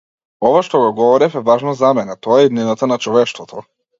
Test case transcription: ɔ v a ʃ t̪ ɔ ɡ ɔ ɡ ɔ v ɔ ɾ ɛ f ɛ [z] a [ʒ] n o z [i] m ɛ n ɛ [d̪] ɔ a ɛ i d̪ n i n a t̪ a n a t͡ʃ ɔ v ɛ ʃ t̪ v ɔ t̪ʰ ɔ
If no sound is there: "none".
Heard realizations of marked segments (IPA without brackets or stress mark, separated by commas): v, ʒ, a, t̪